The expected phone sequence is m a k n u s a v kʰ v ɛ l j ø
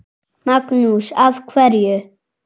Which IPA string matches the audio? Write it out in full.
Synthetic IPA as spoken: m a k n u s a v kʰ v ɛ ɾ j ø